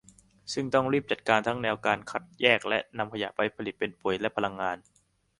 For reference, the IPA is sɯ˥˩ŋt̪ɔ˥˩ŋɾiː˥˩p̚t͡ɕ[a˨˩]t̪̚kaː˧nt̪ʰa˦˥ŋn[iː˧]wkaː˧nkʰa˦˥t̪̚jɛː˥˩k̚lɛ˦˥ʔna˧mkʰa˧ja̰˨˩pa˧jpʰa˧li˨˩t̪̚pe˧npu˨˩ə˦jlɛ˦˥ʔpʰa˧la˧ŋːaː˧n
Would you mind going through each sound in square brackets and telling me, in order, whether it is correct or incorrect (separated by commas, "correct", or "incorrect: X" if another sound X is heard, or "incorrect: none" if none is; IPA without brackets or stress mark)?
correct, incorrect: ɛː˧